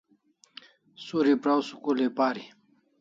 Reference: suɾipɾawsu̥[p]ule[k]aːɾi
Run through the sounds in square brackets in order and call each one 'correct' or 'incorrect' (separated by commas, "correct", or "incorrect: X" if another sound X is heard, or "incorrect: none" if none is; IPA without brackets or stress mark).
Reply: incorrect: k, incorrect: p